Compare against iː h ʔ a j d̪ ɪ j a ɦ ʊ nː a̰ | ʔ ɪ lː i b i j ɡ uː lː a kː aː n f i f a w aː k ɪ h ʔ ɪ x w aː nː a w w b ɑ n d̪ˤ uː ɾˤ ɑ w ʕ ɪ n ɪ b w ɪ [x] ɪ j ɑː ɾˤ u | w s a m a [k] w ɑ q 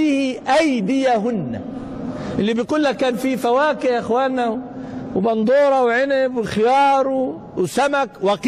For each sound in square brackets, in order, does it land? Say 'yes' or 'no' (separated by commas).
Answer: yes, yes